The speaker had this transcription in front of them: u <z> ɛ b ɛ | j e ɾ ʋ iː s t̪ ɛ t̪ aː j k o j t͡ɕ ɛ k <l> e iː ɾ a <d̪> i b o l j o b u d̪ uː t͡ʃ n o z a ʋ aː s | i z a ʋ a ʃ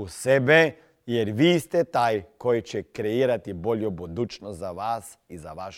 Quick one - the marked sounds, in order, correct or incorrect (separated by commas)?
incorrect, incorrect, incorrect